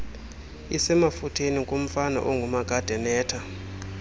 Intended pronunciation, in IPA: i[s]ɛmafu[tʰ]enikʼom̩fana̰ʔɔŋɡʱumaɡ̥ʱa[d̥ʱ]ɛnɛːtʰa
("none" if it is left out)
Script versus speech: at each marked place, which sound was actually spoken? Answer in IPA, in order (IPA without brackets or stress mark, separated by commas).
s, tʰ, d̥ʱ